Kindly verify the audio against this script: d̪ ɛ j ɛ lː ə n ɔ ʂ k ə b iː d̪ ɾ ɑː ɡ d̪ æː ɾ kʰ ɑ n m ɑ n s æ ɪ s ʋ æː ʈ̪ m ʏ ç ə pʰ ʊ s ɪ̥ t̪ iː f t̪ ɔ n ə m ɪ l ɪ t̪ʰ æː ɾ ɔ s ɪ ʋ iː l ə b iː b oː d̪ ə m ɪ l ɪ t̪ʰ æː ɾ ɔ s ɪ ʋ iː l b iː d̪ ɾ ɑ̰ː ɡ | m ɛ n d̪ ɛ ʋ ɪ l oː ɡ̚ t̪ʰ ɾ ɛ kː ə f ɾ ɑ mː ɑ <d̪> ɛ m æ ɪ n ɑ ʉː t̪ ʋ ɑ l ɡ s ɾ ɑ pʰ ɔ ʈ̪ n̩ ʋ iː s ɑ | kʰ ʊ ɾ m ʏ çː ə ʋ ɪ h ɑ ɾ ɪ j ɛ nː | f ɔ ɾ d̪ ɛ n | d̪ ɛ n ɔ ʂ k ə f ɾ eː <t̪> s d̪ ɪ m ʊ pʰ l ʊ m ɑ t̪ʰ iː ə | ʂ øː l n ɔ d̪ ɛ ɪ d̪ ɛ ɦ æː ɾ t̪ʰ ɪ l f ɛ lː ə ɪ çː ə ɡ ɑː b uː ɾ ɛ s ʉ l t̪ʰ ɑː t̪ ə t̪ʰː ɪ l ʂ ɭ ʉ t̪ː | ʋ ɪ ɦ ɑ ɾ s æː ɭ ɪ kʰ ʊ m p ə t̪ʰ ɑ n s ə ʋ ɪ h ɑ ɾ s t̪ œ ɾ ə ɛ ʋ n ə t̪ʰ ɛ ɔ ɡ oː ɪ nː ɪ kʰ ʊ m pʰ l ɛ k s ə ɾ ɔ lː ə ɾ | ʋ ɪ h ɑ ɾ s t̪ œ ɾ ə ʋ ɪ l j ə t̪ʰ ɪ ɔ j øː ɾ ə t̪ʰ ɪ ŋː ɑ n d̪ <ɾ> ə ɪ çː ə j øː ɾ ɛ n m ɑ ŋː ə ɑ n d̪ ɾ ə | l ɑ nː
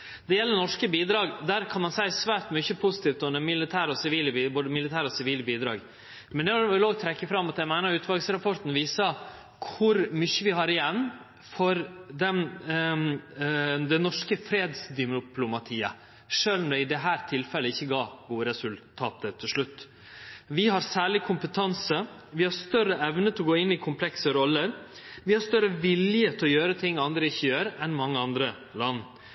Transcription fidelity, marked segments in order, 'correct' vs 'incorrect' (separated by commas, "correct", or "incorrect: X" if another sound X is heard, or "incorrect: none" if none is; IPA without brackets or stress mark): incorrect: t̪, incorrect: d̪, correct